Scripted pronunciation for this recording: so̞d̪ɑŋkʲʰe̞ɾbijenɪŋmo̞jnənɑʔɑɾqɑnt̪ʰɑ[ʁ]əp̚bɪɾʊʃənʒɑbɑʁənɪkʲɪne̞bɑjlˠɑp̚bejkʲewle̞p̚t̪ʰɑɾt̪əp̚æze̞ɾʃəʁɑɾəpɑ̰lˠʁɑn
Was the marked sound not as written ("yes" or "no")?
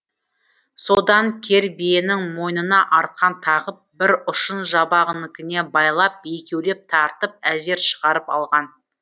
no